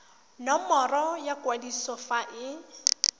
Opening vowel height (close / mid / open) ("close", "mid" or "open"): mid